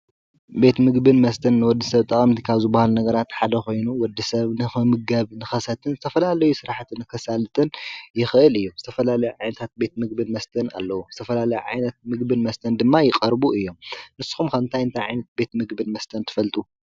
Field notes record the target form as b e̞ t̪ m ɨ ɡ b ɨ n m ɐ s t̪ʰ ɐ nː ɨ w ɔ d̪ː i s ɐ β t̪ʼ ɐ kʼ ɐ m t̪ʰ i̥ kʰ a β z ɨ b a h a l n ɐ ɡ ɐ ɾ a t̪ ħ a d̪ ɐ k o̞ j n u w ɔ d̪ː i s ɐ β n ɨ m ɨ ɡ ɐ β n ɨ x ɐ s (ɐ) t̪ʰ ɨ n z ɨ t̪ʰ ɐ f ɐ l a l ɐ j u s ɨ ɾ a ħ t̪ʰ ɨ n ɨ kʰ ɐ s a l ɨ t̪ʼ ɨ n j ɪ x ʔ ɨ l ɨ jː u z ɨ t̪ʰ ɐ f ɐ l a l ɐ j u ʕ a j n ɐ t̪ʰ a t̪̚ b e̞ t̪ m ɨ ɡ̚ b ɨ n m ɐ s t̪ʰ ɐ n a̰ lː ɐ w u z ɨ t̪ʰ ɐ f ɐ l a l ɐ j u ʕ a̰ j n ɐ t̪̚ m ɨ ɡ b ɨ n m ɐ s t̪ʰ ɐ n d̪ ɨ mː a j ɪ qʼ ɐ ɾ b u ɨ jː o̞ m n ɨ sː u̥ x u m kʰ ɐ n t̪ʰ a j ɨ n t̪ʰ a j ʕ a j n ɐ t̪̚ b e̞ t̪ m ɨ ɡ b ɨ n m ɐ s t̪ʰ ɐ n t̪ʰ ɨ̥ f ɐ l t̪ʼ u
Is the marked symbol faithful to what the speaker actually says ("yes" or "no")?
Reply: yes